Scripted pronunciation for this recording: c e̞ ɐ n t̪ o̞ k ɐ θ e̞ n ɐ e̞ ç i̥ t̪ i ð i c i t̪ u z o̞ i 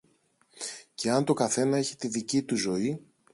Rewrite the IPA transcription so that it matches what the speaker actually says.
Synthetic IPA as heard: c e̞ ɐ n t̪ o̞ k ɐ θ e̞ n ɐ e̞ ç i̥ t̪ i ð i c i t̪ u z o̞ i